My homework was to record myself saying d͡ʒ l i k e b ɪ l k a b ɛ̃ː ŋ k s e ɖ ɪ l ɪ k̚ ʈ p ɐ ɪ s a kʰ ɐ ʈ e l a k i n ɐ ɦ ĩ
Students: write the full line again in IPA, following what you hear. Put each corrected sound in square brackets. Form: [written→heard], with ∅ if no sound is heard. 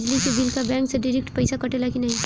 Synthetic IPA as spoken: d͡ʒ l i k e b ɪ l k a b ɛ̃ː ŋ k s e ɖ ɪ [l→ɾ] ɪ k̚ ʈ p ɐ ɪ s a [kʰ→k] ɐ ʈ e l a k i n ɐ ɦ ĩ